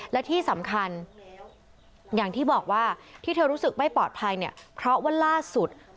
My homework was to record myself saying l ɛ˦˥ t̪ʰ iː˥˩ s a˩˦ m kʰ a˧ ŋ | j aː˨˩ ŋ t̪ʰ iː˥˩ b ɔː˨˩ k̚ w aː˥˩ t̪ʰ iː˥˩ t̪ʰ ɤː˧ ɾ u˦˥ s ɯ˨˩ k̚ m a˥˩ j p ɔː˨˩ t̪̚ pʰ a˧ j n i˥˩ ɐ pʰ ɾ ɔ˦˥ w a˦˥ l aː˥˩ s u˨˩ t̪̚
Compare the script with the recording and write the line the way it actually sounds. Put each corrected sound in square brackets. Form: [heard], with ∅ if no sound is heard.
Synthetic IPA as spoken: l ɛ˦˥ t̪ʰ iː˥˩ s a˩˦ m kʰ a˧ [n] | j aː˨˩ ŋ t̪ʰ iː˥˩ b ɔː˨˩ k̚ w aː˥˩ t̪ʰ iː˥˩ t̪ʰ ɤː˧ ɾ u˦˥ s ɯ˨˩ k̚ m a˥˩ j p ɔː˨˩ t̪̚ pʰ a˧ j n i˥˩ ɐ pʰ ɾ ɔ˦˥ w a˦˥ l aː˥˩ s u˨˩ t̪̚